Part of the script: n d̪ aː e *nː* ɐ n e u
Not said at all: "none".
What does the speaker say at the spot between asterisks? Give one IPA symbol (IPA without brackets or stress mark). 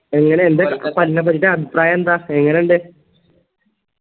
ŋː